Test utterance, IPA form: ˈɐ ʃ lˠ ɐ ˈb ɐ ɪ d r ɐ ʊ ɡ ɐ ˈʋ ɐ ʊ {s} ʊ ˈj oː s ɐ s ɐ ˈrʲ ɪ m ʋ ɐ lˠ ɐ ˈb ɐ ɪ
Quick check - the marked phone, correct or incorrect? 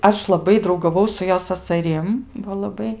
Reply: correct